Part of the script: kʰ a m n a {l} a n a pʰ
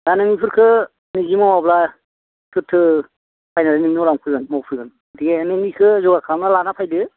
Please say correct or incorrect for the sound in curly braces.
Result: correct